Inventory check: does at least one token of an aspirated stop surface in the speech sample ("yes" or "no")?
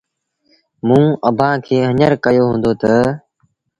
yes